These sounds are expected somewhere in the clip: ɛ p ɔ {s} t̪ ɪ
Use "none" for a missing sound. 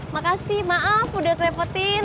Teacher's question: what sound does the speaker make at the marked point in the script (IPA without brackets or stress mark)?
none